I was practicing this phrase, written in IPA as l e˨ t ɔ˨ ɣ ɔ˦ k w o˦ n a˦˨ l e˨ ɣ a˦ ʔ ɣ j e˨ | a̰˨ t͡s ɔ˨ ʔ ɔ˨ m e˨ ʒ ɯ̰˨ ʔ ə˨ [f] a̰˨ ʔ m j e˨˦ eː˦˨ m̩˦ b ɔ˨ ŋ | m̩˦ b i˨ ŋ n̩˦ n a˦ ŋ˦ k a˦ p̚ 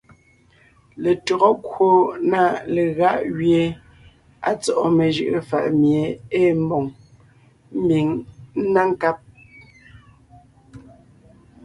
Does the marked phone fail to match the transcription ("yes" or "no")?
no